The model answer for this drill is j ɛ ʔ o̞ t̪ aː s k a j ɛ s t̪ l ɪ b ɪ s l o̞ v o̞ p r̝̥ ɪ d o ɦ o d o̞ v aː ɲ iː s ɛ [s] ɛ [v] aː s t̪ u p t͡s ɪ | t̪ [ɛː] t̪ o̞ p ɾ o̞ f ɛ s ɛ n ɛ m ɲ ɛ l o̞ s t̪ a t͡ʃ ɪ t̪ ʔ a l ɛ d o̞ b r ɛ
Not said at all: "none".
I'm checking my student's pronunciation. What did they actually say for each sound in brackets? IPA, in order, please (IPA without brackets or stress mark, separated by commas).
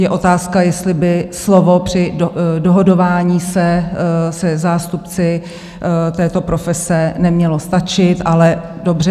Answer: s, z, ɛː